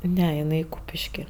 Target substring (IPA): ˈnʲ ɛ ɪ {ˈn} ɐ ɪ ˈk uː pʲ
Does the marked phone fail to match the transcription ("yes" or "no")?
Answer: no